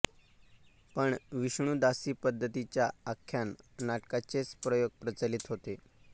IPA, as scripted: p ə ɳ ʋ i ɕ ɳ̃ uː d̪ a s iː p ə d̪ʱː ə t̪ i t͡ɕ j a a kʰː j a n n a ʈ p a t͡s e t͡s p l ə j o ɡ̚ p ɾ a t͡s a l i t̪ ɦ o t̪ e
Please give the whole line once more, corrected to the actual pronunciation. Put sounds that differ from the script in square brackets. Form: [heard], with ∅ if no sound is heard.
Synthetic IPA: p ə ɳ ʋ i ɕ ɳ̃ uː d̪ a s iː p ə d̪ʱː ə t̪ i t͡ɕ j a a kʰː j a n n a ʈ [k] a t͡s e t͡s p [ɾ] ə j o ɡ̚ p ɾ [ə] t͡s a l i t̪ ɦ o t̪ e